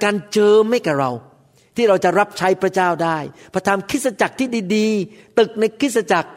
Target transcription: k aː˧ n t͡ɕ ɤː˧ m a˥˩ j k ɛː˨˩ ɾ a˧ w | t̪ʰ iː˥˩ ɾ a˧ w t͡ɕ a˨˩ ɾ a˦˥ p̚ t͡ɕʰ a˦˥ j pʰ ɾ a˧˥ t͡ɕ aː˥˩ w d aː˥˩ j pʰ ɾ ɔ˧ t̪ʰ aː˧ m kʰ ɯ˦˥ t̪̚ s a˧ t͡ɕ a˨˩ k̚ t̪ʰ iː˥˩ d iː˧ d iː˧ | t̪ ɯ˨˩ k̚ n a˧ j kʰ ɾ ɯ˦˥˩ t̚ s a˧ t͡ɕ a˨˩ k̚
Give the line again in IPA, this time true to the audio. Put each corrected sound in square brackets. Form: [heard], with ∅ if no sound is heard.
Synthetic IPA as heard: k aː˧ n t͡ɕ ɤː˧ m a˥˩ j k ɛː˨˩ ɾ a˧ w | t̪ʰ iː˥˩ ɾ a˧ w t͡ɕ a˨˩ ɾ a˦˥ p̚ t͡ɕʰ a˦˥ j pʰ ɾ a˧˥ t͡ɕ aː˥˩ w d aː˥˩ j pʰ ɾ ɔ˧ t̪ʰ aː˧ m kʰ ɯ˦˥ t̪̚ s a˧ t͡ɕ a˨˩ k̚ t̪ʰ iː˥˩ d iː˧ d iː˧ | t̪ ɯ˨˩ k̚ n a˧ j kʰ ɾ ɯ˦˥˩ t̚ s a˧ t͡ɕ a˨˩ k̚